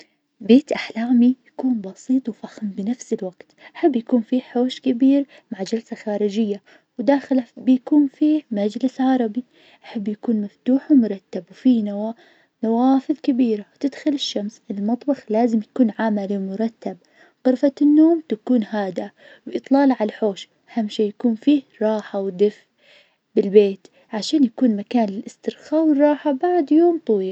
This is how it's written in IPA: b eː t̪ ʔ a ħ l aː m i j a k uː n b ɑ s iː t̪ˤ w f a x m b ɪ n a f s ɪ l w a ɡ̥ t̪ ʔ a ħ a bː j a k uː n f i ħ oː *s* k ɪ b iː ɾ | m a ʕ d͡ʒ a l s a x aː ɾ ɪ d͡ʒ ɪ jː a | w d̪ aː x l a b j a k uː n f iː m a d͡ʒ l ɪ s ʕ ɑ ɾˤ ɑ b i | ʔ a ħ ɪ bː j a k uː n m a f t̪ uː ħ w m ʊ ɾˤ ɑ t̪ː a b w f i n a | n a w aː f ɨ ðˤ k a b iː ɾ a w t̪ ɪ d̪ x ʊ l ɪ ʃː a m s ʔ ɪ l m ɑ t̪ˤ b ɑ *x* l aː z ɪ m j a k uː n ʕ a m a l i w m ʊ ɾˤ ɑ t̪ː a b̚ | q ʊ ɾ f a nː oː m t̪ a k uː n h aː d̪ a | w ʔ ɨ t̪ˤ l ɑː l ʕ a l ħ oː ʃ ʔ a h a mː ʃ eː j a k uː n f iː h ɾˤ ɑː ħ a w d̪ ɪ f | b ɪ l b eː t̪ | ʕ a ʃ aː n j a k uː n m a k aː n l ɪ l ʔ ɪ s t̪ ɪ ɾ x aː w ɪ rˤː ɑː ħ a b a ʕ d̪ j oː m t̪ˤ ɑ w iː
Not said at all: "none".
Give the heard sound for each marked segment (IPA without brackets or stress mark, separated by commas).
ʃ, x